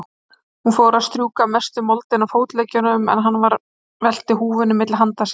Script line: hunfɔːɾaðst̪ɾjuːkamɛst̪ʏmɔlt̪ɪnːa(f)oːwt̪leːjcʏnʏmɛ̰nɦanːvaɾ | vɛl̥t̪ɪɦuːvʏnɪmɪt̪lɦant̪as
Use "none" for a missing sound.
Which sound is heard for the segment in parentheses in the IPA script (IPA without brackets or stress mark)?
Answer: f